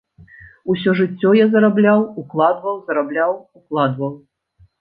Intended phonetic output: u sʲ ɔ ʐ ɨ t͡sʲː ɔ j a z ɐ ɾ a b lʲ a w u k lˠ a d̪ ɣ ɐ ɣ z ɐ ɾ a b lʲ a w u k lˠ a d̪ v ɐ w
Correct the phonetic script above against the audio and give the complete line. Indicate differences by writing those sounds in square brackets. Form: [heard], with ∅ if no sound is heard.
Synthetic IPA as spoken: u sʲ ɔ ʐ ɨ t͡sʲː ɔ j a z ɐ ɾ a b lʲ a w u k lˠ a d̪ [v] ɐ [w] z ɐ ɾ a b lʲ a w u k lˠ a d̪ v ɐ w